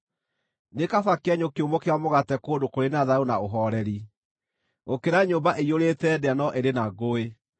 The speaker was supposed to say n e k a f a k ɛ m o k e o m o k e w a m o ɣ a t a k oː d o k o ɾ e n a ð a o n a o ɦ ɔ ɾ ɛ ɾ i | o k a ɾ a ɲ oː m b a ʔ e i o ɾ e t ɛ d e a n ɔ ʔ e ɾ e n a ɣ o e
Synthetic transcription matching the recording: n e k a f a k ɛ ɲ o k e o m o k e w a m o ɣ a t ɛ k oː d o k o ɾ e n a ð a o n a o ɦ ɔ ɾ ɛ ɾ i | o k e ɾ a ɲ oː m b a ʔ e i o ɾ e t ɛ d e a n ɔ ʔ e ɾ e n a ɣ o e